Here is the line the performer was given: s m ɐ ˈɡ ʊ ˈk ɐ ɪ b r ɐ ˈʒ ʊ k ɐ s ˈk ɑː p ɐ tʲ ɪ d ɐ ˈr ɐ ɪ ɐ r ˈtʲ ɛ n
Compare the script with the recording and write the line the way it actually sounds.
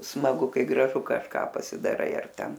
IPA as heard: s m ɐ ˈɡ ʊ ˈk ɐ ɪ ɡ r ɐ ˈʒ ʊ k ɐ ʃ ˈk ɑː p ɐ sʲ ɪ d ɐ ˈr ɐ ɪ ɐ r ˈtʲ ɛ n